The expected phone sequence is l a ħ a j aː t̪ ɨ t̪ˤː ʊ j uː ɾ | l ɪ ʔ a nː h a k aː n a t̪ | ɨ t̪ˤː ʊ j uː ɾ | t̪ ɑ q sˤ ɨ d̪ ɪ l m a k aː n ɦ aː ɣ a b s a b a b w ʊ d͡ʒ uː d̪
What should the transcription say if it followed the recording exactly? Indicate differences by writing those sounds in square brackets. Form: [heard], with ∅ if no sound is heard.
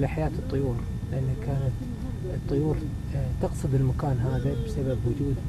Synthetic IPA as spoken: l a ħ a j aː t̪ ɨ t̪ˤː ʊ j uː ɾ | l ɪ ʔ a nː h a k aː n a t̪ | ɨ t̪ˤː ʊ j uː ɾ | t̪ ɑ q sˤ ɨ d̪ ɪ l m a k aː n ɦ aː [ð] a b s a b a b w ʊ d͡ʒ uː d̪